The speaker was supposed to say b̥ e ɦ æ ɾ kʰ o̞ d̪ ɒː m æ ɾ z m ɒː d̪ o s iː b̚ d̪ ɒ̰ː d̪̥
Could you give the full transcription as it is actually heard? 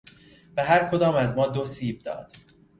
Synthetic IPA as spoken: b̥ e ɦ æ ɾ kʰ o̞ d̪ ɒː m æ z m ɒː d̪ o s iː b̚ d̪ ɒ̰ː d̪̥

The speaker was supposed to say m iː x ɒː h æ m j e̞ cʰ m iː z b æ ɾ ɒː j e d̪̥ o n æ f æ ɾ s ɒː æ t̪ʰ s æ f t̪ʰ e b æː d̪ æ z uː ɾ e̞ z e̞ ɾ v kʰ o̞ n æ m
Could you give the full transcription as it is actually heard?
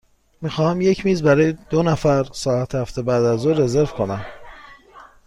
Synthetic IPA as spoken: m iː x ɒː h æ m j e̞ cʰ m iː z b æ ɾ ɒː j e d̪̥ o n æ f æ ɾ s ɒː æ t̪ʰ h æ f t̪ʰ e b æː d̪ æ z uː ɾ e̞ z e̞ ɾ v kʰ o̞ n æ m

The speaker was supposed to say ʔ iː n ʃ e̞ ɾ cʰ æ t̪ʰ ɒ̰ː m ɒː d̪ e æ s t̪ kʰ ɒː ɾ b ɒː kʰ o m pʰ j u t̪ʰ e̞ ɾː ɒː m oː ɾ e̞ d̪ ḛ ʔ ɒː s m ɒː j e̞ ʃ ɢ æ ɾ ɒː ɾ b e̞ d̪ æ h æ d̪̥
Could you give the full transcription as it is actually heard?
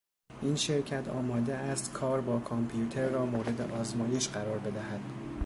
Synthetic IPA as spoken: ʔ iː n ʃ e̞ ɾ cʰ æ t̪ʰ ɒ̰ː m ɒː d̪ e æ s t̪ kʰ ɒː ɾ b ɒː kʰ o m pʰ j u t̪ʰ e̞ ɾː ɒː m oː ɾ e̞ d̪ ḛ ʔ ɒː z m ɒː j e̞ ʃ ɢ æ ɾ ɒː ɾ b e̞ d̪ æ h æ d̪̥

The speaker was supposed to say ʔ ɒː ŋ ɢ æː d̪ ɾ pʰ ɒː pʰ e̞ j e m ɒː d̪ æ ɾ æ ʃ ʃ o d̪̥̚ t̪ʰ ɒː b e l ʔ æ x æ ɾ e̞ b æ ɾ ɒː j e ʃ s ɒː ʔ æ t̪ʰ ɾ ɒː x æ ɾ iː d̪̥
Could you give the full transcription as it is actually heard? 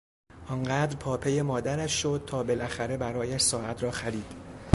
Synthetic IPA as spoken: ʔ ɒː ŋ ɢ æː d̪ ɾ pʰ ɒː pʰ e̞ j e m ɒː d̪ æ ɾ æ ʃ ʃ o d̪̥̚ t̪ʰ ɒː b e l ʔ æ x æ ɾ e̞ b æ ɾ ɒː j æ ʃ s ɒː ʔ æ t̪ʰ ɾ ɒː x æ ɾ iː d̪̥

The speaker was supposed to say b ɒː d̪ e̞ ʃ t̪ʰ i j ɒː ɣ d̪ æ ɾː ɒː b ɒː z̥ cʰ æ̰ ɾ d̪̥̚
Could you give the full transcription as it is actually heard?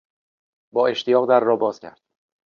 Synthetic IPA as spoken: b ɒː e̞ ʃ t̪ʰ i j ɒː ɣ d̪ æ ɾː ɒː b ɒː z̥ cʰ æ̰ ɾ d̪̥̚

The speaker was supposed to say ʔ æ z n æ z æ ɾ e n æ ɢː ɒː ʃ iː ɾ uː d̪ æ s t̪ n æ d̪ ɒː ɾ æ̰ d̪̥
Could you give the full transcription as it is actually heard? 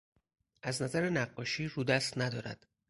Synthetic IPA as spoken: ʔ æ z n æ z æ ɾ e n æ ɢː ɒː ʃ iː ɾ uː d̪ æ s t̪ n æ d̪ ɒː ɾ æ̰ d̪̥

